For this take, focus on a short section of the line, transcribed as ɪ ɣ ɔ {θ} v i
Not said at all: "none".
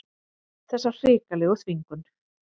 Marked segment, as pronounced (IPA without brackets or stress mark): θ